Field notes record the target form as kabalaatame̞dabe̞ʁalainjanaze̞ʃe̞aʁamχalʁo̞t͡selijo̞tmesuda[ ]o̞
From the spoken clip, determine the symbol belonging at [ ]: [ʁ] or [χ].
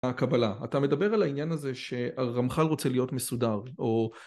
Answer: ʁ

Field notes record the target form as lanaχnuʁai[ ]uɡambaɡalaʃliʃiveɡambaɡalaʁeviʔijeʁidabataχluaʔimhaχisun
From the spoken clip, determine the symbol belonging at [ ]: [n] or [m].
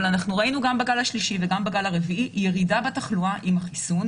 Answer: n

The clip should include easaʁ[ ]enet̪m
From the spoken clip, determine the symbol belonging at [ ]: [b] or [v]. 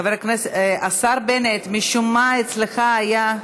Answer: b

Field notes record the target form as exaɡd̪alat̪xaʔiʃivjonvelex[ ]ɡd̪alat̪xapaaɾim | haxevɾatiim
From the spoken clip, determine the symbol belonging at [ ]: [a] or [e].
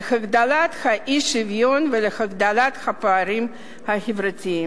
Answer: a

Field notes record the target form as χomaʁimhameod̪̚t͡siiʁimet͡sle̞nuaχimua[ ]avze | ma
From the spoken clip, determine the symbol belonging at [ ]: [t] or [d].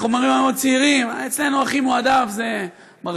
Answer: d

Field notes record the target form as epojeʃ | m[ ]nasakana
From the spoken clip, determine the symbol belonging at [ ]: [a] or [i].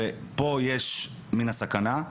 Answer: i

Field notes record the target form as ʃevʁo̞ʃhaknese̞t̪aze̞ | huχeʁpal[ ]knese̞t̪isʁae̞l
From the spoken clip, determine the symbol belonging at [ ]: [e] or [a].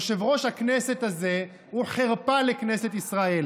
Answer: e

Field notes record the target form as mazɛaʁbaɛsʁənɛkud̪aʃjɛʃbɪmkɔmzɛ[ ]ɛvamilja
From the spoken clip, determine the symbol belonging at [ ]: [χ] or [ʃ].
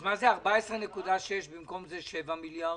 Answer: ʃ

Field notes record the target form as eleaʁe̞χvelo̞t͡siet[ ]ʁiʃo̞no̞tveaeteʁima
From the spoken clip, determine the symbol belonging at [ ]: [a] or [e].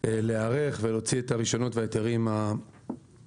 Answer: a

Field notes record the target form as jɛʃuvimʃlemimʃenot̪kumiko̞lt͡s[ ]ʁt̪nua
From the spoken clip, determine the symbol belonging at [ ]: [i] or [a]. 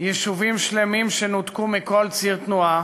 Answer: i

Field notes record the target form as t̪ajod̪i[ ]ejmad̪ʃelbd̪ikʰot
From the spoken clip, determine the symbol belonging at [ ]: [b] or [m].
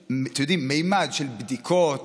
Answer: m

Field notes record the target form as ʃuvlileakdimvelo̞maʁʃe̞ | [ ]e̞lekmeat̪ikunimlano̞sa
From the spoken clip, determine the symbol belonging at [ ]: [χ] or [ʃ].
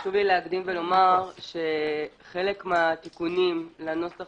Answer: χ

